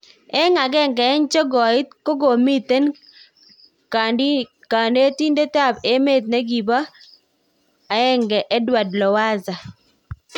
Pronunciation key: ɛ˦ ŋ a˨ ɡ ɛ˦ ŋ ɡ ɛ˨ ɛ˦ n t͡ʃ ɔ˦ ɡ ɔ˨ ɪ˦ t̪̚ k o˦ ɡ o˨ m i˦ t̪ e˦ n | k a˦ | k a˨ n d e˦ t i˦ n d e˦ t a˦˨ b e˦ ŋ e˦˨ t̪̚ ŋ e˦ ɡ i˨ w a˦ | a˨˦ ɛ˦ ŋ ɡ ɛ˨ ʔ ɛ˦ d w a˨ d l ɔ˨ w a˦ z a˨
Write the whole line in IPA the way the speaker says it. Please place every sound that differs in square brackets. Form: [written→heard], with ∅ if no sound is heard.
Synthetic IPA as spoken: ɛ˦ ŋ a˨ ɡ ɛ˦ ŋ ɡ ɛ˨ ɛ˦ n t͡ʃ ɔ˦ ɡ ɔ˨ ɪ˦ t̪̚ k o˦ ɡ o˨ m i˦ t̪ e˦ n | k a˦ | k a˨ n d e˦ t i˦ n d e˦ t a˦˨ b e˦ [ŋ→m] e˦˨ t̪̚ [ŋ→n] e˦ ɡ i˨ [w→b] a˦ | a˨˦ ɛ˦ ŋ ɡ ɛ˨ ʔ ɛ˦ d w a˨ d l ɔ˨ w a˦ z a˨